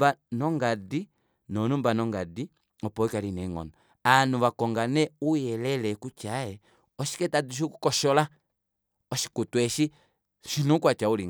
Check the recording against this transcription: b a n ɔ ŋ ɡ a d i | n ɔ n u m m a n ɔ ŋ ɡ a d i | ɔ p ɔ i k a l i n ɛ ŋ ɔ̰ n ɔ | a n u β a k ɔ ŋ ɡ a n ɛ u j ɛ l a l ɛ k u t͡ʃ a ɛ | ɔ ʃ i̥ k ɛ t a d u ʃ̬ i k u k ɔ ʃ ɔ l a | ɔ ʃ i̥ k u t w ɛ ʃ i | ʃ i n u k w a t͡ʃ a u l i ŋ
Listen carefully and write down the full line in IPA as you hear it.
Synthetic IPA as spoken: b a n ɔ ŋ ɡ a d i | n ɔ n u m b a n ɔ ŋ ɡ a d i | ɔ p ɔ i k a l i n ɛ ŋ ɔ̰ n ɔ | a n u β a k ɔ ŋ ɡ a n ɛ u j ɛ l ɛ l ɛ k u t͡ʃ a ɛ | ɔ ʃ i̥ k ɛ t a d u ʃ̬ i k u k ɔ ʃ ɔ l a | ɔ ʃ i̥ k u t w ɛ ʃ i | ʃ i n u k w a t͡ʃ a u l i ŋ